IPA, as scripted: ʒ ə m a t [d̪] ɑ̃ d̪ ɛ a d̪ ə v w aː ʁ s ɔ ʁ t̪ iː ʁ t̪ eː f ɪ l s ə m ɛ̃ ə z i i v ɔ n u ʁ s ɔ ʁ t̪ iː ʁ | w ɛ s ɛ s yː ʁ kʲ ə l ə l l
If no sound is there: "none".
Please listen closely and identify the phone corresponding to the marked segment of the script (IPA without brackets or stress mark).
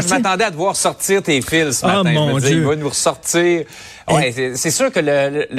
t̪